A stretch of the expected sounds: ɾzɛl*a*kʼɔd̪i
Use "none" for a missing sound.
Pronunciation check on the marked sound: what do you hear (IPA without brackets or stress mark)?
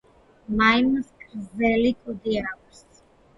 i